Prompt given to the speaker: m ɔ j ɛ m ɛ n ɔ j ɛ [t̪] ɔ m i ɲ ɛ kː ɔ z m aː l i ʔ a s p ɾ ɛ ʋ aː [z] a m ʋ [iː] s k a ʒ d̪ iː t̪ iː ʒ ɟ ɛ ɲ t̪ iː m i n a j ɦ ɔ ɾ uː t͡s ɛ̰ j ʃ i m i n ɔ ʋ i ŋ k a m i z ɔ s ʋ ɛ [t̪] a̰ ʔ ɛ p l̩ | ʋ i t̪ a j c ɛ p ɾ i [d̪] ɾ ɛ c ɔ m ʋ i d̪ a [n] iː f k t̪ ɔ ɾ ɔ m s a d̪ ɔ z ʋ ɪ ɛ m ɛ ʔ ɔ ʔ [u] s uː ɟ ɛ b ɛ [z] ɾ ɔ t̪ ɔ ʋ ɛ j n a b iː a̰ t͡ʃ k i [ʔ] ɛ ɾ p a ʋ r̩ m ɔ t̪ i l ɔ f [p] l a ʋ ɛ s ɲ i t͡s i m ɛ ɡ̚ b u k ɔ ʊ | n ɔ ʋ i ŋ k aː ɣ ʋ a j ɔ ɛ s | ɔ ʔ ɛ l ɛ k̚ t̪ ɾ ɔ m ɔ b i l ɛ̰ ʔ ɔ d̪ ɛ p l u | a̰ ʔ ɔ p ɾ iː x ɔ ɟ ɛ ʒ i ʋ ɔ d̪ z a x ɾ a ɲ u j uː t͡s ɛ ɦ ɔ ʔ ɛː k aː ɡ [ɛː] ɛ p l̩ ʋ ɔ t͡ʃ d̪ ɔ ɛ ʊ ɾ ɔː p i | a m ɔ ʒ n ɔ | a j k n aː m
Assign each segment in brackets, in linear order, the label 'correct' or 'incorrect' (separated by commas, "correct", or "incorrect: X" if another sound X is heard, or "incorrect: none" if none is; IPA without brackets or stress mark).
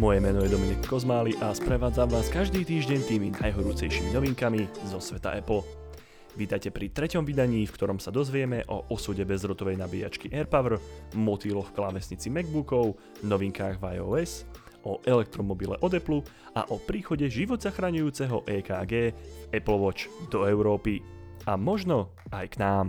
incorrect: d̪, incorrect: d͡z, incorrect: aː, correct, incorrect: t̪, incorrect: ɲ, incorrect: ɔ, correct, correct, incorrect: k, correct